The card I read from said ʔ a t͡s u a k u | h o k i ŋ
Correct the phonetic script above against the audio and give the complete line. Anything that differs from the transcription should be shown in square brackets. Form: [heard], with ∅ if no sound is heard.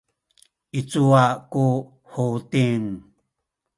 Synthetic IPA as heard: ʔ [i] t͡s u a k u | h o [t] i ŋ